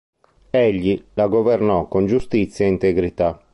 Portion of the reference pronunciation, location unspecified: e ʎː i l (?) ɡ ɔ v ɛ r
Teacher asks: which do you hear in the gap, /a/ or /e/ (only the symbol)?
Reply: a